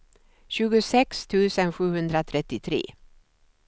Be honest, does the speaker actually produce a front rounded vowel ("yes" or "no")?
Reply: no